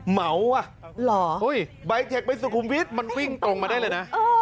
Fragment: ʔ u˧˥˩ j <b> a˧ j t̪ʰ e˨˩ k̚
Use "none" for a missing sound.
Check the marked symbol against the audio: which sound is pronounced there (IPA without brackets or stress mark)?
b